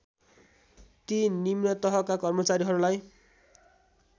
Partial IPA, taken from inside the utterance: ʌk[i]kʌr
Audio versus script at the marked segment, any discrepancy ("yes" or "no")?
yes